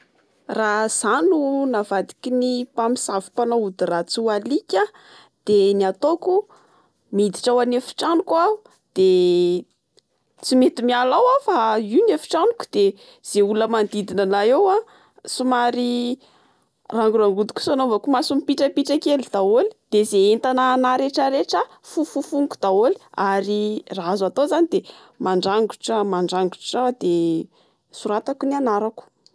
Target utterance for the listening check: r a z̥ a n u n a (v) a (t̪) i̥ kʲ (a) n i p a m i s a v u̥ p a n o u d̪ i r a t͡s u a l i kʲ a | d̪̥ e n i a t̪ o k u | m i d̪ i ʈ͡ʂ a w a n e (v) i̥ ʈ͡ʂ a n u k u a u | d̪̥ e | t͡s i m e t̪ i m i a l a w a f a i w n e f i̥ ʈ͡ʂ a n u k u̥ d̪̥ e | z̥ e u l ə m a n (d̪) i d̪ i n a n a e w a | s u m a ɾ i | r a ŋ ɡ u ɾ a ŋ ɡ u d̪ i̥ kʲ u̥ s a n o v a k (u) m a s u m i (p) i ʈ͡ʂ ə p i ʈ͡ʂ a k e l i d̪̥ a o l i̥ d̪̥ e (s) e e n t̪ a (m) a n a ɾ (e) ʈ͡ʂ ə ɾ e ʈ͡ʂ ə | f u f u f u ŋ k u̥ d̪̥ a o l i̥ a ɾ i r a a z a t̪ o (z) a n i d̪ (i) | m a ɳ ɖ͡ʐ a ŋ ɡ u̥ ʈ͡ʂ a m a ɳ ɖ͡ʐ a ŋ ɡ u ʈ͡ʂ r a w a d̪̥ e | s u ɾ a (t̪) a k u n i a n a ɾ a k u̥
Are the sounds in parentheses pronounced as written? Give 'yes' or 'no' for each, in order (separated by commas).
yes, no, no, no, yes, yes, yes, no, no, yes, yes, no, yes